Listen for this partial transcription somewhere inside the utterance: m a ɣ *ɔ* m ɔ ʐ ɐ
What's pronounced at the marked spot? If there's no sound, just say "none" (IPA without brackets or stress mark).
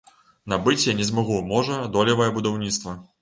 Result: u